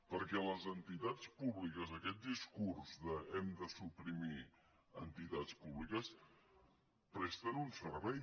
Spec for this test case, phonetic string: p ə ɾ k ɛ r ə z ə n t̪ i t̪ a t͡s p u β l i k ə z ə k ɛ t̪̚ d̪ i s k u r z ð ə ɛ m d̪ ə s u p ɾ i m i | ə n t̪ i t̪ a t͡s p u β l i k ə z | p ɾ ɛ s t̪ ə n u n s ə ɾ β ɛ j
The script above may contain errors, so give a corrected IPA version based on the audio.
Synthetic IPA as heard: p ə ɾ k ɛ l ə z ə n t̪ i t̪ a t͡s p u β l i k ə z ə k ɛ t̪̚ d̪ i s k u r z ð ə ɛ m d̪ ə s u p ɾ i m i | ə n t̪ i t̪ a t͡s p u β l i k ə s | p ɾ ɛ s t̪ ə n u n s ə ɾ β ɛ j